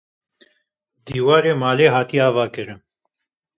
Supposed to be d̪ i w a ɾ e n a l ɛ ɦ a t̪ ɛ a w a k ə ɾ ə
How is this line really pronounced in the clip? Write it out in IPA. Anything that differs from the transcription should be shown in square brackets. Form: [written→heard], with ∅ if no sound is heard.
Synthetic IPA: d̪ i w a ɾ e [n→m] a l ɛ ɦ a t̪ [ɛ→i] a [w→v] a k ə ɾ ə

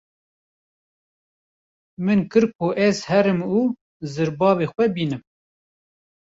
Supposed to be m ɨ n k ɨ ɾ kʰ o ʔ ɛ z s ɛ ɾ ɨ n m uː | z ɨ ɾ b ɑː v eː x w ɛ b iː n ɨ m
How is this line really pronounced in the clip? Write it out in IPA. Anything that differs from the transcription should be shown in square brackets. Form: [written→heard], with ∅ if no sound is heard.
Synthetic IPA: m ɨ n k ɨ ɾ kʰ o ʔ ɛ z [s→h] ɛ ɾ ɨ [n→∅] m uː | z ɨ ɾ b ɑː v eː x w ɛ b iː n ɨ m

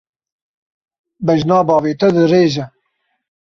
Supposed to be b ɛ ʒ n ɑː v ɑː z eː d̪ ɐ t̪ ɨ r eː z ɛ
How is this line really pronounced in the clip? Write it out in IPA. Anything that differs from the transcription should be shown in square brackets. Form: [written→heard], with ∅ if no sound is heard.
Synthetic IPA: b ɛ ʒ n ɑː [v→b] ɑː [z→v] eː [d̪→t̪] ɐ [t̪→d̪] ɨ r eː [z→ʒ] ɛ

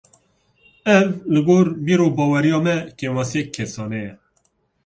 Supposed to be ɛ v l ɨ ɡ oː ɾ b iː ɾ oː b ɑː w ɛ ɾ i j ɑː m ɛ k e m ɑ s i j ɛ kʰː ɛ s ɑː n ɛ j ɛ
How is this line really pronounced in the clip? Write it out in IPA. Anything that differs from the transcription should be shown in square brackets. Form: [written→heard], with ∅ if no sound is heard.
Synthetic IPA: ɛ v l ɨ ɡ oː ɾ b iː ɾ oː b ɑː w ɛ ɾ i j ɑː m ɛ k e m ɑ s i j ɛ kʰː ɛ s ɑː n ɛ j ɛ

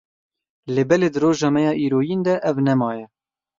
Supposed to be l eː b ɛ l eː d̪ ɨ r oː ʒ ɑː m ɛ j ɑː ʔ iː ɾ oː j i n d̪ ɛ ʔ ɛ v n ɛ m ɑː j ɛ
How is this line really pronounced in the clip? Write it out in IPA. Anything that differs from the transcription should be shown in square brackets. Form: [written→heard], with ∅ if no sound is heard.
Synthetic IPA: l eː b ɛ l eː d̪ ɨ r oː ʒ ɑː m ɛ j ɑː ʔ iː ɾ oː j i n d̪ ɛ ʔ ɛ v n ɛ m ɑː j ɛ

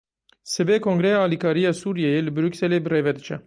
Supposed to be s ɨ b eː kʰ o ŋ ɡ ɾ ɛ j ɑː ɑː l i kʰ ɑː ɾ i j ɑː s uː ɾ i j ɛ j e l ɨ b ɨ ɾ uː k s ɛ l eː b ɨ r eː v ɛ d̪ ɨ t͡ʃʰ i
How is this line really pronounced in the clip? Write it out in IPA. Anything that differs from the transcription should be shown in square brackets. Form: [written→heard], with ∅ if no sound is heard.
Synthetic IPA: s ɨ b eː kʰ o ŋ ɡ ɾ ɛ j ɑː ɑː l i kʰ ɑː ɾ i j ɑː s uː ɾ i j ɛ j e l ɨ b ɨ ɾ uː k s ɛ l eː b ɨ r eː v ɛ d̪ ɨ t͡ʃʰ [i→ɛ]

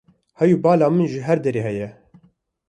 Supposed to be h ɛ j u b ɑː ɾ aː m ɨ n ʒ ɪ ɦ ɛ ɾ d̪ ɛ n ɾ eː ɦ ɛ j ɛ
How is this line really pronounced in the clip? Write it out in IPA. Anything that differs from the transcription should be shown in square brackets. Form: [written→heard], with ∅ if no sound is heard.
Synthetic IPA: h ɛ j u b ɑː [ɾ→l] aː m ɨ n ʒ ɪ ɦ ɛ ɾ d̪ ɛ [n→∅] ɾ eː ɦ ɛ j ɛ

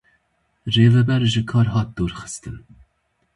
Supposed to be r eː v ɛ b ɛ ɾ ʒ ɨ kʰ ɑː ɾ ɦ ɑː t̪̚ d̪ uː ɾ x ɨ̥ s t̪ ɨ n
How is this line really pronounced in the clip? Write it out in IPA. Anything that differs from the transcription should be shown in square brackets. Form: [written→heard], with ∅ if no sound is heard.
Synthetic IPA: r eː v ɛ b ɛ ɾ ʒ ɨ kʰ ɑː ɾ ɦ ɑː t̪̚ d̪ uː ɾ x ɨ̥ s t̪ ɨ n

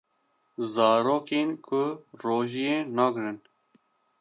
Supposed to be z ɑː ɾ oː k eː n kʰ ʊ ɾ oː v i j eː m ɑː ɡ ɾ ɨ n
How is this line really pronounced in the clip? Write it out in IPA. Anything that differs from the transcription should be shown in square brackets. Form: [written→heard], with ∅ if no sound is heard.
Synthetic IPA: z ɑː ɾ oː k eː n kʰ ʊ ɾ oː [v→ʒ] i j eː [m→n] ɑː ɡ ɾ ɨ n

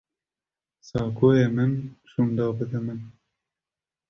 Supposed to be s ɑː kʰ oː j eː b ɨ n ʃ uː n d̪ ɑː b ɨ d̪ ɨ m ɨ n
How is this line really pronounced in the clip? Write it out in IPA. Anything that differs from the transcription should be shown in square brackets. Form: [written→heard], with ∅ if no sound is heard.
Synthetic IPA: s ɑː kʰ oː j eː [b→m] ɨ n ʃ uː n d̪ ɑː b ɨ d̪ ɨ m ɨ n

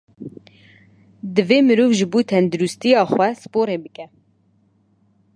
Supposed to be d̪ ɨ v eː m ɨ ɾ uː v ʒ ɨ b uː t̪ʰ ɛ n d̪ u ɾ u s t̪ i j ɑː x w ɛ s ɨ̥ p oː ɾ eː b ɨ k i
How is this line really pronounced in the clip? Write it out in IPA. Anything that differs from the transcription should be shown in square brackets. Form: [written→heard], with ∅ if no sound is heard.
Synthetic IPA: d̪ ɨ v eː m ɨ ɾ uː v ʒ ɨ b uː t̪ʰ ɛ n d̪ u ɾ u s t̪ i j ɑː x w ɛ s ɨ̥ p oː ɾ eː b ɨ k [i→ɛ]

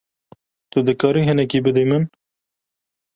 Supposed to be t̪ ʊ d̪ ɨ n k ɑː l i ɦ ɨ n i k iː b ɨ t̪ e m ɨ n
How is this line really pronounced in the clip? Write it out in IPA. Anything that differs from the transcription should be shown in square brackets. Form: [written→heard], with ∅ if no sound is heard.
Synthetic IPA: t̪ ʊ d̪ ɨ [n→∅] k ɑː [l→ɾ] i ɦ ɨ n [i→ɛ] k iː b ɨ [t̪→d̪] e m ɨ n

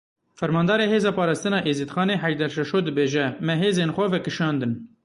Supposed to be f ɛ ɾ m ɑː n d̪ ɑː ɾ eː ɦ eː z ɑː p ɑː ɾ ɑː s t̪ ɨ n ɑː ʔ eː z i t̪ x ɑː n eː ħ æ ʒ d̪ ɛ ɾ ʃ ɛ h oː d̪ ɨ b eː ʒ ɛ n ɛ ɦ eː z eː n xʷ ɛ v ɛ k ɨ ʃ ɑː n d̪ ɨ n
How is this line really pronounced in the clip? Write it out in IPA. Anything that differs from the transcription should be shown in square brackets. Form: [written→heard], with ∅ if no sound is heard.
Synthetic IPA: f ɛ ɾ m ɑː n d̪ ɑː ɾ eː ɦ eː z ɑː p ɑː ɾ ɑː s t̪ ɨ n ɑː ʔ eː z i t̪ x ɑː n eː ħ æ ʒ d̪ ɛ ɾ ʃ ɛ [h→ʃ] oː d̪ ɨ b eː ʒ ɛ [n→m] ɛ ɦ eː z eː n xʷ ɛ v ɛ k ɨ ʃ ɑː n d̪ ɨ n

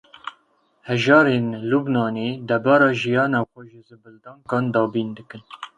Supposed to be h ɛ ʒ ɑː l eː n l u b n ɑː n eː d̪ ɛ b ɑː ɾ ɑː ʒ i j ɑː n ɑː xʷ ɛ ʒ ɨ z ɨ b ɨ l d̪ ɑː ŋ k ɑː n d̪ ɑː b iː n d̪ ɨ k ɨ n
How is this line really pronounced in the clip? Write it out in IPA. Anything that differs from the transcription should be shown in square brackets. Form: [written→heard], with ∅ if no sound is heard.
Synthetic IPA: h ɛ ʒ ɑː [l→ɾ] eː n l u b n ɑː n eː d̪ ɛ b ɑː ɾ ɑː ʒ i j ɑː n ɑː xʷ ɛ ʒ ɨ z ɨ b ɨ l d̪ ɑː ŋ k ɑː n d̪ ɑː b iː n d̪ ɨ k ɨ n

